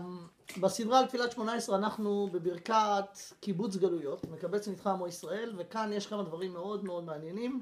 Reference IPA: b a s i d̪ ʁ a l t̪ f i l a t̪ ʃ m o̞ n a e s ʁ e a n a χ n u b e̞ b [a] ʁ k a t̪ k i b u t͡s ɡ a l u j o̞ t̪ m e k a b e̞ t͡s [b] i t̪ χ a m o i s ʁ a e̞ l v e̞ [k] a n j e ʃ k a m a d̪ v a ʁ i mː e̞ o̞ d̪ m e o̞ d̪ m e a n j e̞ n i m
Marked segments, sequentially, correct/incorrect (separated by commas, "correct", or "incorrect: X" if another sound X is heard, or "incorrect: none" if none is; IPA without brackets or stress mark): incorrect: i, incorrect: m, correct